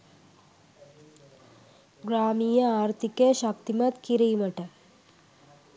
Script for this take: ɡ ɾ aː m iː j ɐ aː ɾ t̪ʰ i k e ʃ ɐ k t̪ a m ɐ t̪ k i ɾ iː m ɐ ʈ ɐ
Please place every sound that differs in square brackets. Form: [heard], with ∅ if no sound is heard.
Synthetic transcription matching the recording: ɡ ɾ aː m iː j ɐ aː ɾ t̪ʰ i k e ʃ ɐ k t̪ [i] m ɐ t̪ k i ɾ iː m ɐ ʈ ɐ

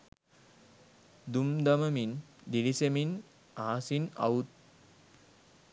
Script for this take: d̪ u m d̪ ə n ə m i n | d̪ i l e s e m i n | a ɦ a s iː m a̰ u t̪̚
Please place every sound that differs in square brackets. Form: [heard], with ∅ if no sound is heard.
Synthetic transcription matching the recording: d̪ u m d̪ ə [m] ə m i n | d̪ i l [i] s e m i n | a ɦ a s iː [n] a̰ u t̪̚

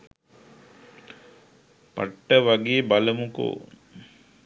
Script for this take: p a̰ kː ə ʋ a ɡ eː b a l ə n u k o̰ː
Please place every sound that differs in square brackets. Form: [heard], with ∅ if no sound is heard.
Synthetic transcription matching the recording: p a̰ [ʈː] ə ʋ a ɡ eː b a l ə [m] u k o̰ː

